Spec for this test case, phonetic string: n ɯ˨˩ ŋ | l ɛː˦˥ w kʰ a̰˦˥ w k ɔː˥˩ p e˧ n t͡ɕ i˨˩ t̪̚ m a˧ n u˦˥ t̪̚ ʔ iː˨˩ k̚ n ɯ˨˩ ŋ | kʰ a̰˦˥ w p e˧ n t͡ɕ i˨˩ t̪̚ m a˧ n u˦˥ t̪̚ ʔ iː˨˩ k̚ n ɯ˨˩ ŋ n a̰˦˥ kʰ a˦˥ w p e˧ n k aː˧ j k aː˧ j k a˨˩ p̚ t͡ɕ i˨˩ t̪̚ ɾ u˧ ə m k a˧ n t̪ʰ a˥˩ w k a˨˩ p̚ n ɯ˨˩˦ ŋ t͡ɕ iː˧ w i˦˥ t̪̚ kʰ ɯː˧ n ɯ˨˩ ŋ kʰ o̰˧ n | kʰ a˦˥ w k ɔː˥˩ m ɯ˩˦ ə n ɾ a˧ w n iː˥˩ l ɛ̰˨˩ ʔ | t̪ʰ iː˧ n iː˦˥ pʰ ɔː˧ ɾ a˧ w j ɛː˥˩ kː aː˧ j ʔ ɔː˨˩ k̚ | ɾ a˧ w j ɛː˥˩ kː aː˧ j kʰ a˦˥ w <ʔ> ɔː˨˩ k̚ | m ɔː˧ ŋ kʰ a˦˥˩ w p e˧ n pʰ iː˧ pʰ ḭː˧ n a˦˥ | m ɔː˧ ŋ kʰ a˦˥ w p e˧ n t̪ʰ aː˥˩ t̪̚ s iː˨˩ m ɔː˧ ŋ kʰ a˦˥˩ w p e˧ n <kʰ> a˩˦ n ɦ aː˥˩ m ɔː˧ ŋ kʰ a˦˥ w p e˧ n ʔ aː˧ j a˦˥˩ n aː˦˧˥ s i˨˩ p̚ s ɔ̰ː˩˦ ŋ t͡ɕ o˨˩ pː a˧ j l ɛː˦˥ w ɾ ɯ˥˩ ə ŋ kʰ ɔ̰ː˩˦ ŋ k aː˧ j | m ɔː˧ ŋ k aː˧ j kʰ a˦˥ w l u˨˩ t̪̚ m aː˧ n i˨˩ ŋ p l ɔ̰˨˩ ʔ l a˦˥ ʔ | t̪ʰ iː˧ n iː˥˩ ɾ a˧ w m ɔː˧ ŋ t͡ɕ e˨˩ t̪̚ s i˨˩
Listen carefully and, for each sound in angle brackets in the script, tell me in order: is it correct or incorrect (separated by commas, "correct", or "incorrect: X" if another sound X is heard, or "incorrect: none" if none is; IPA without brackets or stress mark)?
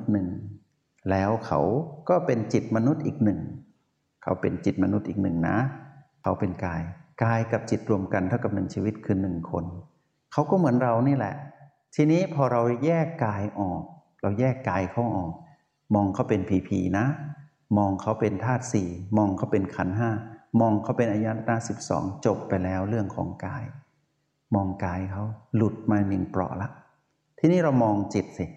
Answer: correct, correct